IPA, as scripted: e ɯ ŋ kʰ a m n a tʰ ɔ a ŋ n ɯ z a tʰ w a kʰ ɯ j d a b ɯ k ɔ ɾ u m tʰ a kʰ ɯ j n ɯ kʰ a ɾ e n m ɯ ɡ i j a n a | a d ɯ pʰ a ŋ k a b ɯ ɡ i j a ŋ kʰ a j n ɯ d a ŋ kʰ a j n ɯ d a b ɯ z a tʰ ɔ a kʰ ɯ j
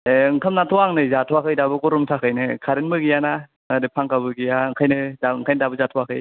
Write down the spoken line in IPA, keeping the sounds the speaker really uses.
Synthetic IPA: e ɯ ŋ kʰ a m n a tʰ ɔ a ŋ n ɯ z a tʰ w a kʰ ɯ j d a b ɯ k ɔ ɾ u m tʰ a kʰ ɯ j n ɯ kʰ a ɾ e n m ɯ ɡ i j a n a | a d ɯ pʰ a ŋ k a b ɯ ɡ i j a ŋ kʰ a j n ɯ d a ŋ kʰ a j n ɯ d a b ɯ z a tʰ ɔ a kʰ ɯ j

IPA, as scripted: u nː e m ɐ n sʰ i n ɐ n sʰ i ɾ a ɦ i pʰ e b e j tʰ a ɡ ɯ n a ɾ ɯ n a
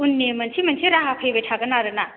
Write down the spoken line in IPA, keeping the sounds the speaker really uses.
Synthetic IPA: u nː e m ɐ n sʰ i m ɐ n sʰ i ɾ a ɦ a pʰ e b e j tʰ a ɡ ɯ n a ɾ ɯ n a

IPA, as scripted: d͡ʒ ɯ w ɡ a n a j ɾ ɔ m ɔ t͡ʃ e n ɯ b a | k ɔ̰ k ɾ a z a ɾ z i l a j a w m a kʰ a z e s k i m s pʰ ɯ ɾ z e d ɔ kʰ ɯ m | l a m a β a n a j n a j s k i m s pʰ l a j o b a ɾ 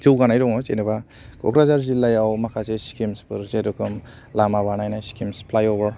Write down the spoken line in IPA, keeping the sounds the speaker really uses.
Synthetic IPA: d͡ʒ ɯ w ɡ a n a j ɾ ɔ ŋ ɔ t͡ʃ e n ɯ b a | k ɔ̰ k ɾ a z a ɾ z i l a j a w m a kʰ a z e s k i m s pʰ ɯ ɾ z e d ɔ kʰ ɯ m | l a m a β a n a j n a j s k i m s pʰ l a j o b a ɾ

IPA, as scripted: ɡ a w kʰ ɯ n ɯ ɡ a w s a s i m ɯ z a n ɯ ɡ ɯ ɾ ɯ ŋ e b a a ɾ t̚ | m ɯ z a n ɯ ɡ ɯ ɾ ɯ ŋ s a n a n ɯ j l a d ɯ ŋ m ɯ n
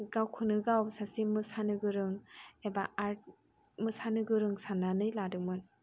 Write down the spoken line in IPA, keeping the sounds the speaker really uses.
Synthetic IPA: ɡ a w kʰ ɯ n ɯ ɡ a w s a s i m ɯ s a n ɯ ɡ ɯ ɾ ɯ ŋ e b a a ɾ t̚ | m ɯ s a n ɯ ɡ ɯ ɾ ɯ ŋ s a n a n ɯ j l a d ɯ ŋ m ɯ n

